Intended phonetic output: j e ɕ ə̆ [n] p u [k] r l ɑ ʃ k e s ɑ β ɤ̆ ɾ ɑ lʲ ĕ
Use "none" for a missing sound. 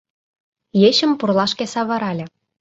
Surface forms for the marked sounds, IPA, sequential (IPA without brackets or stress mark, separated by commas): m, none